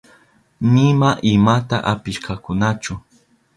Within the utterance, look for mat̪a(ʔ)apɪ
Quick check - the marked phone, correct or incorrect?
correct